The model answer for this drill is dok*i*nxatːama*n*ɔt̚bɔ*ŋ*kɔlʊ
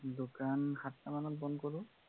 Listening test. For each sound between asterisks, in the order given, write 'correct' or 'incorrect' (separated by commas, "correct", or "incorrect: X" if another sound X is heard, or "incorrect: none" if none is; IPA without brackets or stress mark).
incorrect: a, correct, incorrect: n